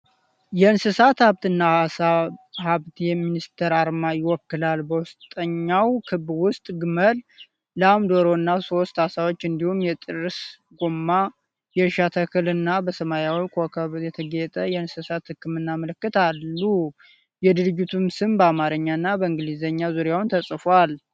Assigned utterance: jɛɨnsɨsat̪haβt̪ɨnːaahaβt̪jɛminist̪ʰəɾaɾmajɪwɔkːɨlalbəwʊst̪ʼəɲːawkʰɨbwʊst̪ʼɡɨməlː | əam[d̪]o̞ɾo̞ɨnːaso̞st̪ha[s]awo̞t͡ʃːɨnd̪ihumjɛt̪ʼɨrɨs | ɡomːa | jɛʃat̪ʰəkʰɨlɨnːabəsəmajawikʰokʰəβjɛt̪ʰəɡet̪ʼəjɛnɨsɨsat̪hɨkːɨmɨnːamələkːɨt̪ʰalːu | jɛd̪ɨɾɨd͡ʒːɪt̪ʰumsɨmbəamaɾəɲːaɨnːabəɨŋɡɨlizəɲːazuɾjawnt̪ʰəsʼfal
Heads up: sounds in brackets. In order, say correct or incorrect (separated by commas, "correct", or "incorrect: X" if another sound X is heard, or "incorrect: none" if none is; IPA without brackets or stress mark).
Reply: correct, correct